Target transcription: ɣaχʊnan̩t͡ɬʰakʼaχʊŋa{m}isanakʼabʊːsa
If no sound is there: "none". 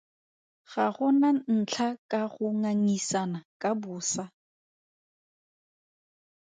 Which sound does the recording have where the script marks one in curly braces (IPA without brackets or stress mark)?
ŋ